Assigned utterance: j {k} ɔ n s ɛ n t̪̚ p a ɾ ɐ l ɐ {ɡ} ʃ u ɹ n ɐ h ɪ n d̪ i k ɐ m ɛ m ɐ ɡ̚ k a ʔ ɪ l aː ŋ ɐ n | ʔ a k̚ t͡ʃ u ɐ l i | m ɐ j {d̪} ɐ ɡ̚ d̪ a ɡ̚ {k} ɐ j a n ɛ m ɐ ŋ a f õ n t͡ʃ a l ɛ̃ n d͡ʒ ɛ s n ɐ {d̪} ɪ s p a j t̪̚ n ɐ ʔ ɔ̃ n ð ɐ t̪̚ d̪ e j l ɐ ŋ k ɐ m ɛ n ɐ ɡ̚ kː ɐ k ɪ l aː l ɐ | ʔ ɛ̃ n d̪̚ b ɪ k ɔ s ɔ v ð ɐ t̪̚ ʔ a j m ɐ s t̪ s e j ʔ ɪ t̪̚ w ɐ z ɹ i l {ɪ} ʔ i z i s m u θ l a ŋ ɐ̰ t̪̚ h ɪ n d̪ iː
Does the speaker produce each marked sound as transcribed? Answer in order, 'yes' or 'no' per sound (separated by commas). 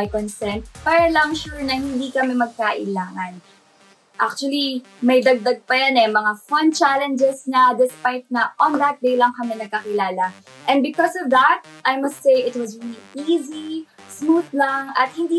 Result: yes, no, yes, no, yes, no